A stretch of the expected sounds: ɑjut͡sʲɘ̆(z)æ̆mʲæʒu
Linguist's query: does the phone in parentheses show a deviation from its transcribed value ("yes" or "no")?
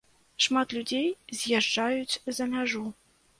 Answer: no